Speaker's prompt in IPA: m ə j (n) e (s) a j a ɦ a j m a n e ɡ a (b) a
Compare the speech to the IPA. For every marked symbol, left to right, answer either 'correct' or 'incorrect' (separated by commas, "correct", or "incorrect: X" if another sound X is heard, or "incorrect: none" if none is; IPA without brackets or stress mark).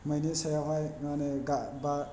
correct, correct, correct